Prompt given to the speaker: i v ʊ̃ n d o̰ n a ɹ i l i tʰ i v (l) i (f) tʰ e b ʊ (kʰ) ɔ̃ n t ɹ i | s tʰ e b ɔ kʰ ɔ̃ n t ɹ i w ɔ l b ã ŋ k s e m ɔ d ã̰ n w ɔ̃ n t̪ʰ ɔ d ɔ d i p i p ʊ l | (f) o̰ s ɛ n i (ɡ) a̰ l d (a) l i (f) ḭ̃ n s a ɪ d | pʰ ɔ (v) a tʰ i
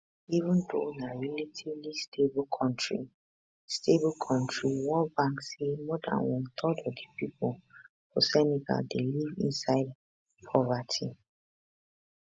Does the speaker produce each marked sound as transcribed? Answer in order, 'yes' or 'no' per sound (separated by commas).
yes, no, yes, yes, yes, no, no, yes